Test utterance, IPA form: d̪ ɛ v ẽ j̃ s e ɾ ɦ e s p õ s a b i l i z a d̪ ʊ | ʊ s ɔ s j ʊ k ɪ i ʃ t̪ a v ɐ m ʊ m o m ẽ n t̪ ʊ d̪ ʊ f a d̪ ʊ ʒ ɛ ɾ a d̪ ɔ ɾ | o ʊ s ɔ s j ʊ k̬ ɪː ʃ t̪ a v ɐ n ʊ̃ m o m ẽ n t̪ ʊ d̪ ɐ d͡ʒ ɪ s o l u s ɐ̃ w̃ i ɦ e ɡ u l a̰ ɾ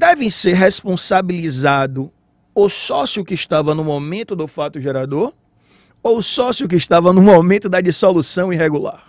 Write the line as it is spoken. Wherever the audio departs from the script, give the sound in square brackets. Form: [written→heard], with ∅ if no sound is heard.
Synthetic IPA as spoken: d̪ ɛ v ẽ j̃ s e ɾ ɦ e s p õ s a b i l i z a d̪ ʊ | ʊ s ɔ s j ʊ k ɪ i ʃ t̪ a v ɐ [m→n] ʊ m o m ẽ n t̪ ʊ d̪ ʊ f a [d̪→t̪] ʊ ʒ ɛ ɾ a d̪ [ɔ→o] ɾ | o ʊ s ɔ s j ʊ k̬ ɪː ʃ t̪ a v ɐ n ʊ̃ m o m ẽ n t̪ ʊ d̪ ɐ d͡ʒ [ɪ→i] s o l u s ɐ̃ w̃ i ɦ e ɡ u l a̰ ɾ